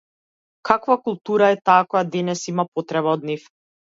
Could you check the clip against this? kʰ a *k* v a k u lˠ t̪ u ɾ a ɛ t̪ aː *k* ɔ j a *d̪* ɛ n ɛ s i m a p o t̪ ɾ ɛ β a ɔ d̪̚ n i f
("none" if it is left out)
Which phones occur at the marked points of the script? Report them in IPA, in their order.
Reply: k, k, d̪

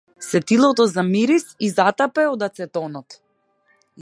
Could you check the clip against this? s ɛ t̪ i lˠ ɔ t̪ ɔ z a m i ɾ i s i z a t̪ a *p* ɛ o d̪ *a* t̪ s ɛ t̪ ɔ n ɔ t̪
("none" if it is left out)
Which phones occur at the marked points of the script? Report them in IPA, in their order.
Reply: p, a

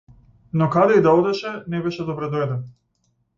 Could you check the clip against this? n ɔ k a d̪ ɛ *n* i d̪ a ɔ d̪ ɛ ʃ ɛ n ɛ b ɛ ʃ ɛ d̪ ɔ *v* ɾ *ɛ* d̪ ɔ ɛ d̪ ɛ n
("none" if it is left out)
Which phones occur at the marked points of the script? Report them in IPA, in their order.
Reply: none, b, ɛ

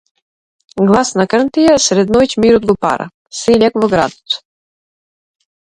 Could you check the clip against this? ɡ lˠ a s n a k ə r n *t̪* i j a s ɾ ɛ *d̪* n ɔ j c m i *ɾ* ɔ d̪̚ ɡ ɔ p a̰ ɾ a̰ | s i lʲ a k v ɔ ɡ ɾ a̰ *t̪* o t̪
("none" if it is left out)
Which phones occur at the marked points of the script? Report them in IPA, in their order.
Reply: t̪, d̪, ɾ, d̪

